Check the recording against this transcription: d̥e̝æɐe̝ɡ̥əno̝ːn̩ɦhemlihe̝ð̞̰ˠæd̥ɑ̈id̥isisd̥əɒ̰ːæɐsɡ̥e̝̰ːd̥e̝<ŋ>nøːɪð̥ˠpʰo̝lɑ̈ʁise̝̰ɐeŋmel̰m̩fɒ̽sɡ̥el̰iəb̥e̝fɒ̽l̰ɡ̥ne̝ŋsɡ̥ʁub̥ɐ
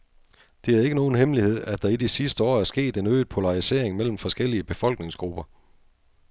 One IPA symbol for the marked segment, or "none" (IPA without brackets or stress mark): none